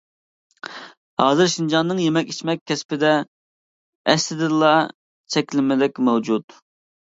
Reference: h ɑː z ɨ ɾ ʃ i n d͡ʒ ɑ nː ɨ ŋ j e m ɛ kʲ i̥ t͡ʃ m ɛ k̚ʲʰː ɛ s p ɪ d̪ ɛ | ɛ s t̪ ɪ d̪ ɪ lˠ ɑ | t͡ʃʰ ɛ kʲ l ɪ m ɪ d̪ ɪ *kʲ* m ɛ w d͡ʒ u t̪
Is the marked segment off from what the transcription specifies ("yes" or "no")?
no